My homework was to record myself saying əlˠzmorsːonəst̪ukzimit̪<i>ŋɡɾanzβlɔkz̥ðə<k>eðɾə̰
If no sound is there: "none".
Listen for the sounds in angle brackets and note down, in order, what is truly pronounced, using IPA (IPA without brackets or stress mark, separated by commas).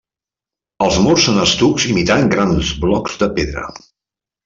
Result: a, p